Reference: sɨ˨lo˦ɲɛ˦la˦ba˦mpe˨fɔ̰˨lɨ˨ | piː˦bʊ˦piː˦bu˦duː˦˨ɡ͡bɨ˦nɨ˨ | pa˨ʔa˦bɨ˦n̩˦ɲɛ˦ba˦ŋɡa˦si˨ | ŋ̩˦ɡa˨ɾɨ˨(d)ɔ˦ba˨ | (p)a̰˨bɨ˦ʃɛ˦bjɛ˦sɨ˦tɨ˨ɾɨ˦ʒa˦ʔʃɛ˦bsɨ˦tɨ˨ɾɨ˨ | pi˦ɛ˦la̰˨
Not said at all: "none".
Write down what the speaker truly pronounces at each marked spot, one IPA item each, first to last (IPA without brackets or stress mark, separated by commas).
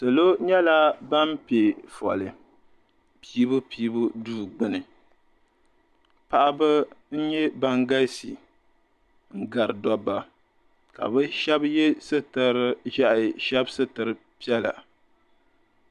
d, k